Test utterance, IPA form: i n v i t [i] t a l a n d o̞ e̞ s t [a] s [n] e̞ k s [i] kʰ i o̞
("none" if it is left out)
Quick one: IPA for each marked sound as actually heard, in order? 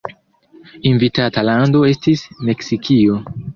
a, i, m, i

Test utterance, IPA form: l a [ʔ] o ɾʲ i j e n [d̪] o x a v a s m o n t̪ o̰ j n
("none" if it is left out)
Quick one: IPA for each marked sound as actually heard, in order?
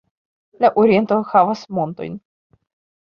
ʔ, t̪

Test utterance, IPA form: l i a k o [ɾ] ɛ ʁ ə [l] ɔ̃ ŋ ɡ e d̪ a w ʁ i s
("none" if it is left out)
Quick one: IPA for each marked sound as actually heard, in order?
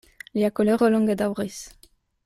l, l

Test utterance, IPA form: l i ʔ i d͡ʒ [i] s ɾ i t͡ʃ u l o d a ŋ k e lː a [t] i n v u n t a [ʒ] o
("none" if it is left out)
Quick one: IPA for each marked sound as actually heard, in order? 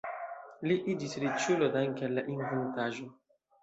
i, ʔ, ʒ

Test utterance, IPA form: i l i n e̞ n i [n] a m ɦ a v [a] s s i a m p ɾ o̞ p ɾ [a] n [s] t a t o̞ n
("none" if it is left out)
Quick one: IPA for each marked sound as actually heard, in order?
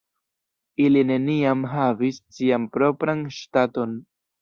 none, i, a, ʃ

